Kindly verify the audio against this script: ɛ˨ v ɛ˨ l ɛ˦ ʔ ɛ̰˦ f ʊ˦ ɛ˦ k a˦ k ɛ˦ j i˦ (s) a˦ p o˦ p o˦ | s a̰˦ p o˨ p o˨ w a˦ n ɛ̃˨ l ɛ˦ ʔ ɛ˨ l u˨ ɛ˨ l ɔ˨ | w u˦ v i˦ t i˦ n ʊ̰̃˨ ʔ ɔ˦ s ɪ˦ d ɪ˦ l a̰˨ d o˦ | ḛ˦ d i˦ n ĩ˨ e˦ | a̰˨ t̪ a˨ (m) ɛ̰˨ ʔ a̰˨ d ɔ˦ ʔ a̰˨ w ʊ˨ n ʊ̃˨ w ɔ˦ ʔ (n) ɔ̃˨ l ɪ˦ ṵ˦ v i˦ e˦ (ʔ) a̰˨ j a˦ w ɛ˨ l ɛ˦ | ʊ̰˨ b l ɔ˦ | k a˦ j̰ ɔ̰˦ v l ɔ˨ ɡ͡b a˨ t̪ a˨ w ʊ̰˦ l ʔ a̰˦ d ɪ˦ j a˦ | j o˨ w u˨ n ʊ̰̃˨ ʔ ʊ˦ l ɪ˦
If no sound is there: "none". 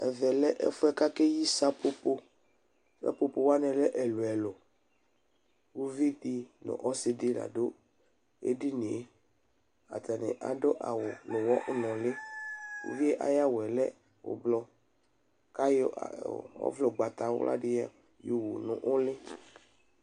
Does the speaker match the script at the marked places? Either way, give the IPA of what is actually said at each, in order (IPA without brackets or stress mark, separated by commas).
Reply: s, n, n, ʔ